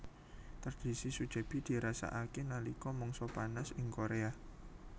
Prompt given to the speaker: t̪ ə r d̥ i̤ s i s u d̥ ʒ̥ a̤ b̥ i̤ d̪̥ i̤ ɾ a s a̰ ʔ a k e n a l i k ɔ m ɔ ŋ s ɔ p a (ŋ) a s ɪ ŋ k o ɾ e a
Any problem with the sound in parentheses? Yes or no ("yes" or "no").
yes